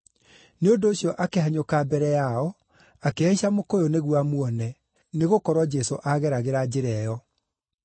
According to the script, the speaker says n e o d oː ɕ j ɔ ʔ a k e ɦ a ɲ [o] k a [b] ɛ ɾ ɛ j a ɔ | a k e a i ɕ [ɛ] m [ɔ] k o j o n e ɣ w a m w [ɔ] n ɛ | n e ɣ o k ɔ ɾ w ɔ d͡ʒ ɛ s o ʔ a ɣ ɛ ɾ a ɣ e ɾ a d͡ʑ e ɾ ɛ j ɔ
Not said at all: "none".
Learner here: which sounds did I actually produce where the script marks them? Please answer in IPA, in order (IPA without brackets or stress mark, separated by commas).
o, b, a, o, ɔ